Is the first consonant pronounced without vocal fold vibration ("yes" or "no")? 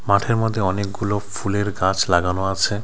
no